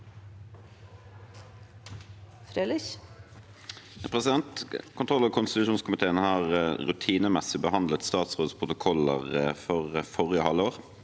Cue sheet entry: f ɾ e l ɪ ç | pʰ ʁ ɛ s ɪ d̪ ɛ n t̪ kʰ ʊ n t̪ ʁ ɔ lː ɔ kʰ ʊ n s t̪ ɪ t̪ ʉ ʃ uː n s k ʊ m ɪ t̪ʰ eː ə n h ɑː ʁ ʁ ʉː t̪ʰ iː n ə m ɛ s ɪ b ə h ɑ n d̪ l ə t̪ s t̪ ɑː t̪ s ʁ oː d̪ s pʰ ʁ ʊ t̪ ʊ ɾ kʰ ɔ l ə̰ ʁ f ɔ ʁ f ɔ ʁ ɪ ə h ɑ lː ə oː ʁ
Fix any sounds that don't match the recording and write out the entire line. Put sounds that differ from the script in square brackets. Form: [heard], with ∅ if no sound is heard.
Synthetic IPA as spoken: f ɾ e l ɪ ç | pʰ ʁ ɛ s ɪ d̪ ɛ n t̪ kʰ ʊ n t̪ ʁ ɔ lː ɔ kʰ ʊ n s t̪ ɪ t̪ ʉ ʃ uː n s k ʊ m ɪ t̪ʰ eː ə n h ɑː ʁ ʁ [ʉ] t̪ʰ iː n ə m ɛ s ɪ b ə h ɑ n d̪ l ə t̪ s t̪ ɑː t̪ s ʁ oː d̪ s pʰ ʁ ʊ t̪ ʊ [∅] kʰ ɔ l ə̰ ʁ f ɔ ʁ f ɔ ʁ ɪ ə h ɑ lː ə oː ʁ